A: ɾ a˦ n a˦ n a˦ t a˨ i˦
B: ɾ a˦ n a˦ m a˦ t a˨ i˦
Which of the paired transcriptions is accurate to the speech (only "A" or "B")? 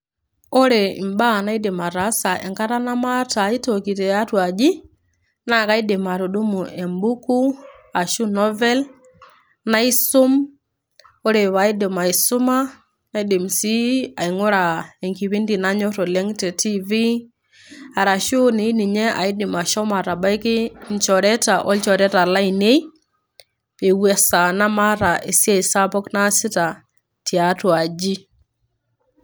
B